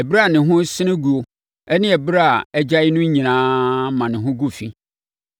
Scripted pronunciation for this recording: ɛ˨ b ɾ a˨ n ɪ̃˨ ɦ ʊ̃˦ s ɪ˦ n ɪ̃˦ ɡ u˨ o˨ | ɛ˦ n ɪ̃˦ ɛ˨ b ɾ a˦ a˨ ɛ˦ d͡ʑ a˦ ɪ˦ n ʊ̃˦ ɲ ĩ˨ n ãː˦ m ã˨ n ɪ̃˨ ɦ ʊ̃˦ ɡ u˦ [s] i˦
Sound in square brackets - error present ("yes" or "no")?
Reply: yes